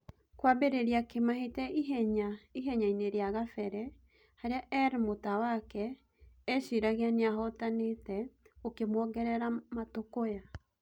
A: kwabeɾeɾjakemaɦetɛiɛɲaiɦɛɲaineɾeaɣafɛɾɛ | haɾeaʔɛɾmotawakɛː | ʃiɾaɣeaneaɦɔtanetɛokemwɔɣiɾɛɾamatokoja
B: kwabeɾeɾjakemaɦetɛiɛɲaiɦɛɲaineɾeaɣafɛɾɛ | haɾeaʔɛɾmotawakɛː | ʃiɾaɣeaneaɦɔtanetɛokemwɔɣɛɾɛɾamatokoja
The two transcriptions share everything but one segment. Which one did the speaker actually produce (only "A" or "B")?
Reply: B